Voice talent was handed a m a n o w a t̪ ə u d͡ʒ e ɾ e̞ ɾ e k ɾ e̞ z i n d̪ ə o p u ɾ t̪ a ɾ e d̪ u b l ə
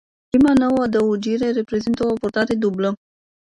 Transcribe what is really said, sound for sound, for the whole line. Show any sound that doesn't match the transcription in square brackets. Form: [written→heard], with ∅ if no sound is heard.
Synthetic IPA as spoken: [a→i] m a n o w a [t̪→d̪] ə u d͡ʒ [e→i] ɾ e̞ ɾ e [k→p] ɾ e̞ z i n [d̪→t̪] ə o p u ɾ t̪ a ɾ e d̪ u b l ə